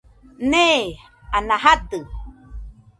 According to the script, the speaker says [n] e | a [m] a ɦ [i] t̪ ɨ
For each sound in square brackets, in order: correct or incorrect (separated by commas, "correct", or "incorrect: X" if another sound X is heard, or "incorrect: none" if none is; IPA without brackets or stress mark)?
correct, incorrect: n, incorrect: a